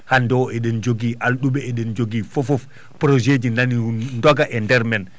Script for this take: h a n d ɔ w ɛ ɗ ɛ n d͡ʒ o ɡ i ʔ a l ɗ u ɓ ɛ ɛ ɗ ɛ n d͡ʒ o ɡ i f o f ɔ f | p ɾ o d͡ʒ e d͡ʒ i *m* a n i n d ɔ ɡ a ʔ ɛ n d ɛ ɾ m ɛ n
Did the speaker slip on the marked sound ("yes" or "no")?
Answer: yes